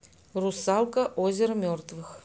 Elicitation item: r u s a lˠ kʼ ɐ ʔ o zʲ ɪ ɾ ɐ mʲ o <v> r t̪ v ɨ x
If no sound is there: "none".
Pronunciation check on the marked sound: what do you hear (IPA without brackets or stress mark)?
none